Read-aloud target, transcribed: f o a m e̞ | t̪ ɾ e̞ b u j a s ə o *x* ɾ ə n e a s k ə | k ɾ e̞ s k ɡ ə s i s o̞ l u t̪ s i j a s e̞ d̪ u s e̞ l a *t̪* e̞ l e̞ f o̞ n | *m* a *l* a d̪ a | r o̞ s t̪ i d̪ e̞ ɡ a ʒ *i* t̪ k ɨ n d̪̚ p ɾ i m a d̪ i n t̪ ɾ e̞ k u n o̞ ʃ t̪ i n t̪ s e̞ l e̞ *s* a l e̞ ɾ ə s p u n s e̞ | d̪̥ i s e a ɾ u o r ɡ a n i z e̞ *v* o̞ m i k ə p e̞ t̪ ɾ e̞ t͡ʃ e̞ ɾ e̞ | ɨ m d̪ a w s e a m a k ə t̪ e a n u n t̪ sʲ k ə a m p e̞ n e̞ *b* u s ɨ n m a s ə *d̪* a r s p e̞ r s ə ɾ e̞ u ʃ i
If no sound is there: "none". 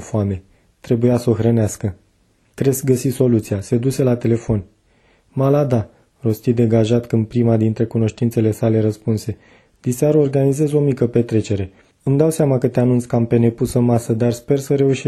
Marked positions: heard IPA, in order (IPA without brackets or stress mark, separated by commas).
x, t̪, m, l, a, s, z, p, d̪